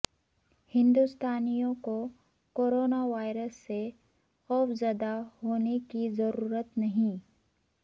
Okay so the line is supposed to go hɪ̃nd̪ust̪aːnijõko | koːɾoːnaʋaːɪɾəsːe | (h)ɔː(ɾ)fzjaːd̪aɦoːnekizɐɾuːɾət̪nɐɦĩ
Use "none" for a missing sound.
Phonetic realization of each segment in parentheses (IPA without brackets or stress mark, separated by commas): x, none